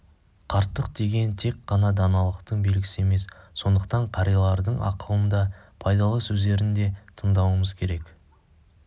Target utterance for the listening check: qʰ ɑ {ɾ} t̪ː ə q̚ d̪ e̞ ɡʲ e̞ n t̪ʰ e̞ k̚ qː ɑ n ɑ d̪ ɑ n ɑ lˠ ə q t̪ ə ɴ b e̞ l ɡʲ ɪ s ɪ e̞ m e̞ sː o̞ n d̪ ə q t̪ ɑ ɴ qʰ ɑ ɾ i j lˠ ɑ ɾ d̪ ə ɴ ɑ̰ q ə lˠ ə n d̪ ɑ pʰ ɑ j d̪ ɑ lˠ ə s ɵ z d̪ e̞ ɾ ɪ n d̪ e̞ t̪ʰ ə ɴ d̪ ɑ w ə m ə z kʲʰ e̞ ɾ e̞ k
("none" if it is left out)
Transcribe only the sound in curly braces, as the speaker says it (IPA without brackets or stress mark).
ɾ